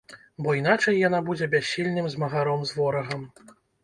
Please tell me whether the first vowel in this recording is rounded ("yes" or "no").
yes